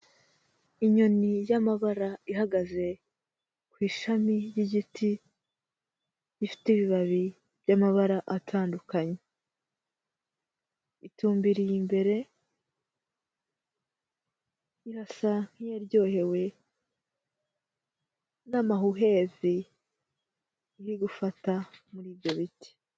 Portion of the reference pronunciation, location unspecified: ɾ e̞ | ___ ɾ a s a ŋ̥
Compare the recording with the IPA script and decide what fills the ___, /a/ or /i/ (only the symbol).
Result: i